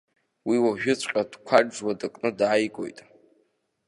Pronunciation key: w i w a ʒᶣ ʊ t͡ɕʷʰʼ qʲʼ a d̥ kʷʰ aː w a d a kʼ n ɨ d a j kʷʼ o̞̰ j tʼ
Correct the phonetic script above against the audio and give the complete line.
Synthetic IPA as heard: w i w a ʒᶣ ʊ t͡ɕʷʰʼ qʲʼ a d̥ kʷʰ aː w a d a kʼ n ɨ d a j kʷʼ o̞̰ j tʼ